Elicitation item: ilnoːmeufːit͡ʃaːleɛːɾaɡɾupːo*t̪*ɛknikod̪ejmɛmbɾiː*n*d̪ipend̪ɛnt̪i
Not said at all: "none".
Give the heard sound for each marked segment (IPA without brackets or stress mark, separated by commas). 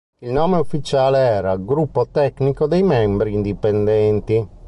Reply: t̪, n